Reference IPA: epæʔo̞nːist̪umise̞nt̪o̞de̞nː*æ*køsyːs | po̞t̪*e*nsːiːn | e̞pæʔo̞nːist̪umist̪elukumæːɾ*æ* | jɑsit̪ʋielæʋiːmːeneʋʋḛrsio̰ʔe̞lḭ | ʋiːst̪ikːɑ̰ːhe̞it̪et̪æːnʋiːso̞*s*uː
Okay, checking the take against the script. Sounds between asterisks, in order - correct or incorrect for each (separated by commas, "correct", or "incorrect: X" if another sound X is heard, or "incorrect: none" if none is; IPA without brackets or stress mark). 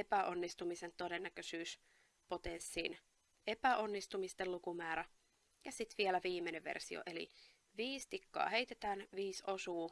correct, correct, correct, correct